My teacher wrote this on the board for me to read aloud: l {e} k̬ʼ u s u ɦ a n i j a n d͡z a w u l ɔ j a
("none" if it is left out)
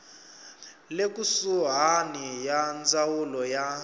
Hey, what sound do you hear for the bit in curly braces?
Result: e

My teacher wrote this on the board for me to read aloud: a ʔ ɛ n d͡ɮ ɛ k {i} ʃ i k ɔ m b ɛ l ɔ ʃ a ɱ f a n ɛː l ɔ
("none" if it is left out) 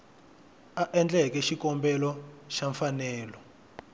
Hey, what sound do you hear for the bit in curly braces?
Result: ɛ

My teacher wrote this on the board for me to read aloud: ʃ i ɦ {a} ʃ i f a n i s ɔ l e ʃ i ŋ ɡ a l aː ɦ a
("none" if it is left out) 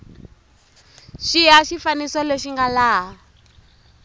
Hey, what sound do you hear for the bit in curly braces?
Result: a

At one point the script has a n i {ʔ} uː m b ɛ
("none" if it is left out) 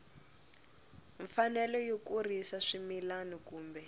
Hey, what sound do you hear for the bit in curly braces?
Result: k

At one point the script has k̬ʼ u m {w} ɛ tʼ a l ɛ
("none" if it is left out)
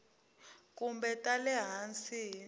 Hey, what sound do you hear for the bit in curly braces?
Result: b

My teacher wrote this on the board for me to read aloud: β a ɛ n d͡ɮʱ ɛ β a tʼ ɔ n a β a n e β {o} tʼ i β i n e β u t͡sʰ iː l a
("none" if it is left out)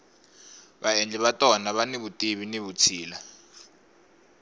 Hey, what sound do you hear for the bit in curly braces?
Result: u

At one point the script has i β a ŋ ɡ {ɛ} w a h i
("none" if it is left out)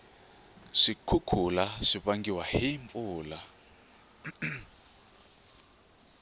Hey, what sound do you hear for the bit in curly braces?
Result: i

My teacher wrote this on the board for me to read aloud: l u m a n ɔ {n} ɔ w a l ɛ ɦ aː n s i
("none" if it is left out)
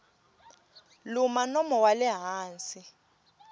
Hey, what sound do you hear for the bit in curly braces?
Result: m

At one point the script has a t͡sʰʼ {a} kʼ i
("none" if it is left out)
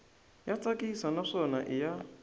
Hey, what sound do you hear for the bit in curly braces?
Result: a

